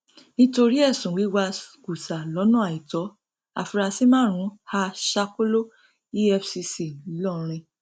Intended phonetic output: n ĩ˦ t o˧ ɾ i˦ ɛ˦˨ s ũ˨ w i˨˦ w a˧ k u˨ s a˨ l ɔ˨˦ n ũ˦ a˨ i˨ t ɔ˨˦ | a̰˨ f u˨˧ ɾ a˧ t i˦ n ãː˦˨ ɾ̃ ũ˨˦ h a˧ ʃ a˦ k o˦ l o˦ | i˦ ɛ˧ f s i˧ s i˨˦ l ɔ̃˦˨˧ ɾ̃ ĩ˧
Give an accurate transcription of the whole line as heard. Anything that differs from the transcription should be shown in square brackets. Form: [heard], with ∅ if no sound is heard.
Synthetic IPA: n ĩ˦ t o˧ ɾ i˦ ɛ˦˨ s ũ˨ w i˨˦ w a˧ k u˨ s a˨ l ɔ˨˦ n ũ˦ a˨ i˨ t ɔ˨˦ | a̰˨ f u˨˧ ɾ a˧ [s] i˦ [m] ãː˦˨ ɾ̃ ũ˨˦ h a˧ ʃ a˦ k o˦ l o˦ | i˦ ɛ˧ f s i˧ s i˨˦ l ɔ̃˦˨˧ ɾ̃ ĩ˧